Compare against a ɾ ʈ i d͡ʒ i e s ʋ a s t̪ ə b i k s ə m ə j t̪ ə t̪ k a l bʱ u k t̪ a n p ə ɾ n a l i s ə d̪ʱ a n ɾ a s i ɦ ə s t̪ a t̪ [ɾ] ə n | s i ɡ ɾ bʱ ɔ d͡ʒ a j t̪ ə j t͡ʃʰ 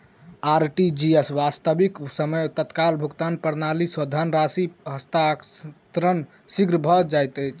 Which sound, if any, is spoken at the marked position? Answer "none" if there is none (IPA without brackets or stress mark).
ɾ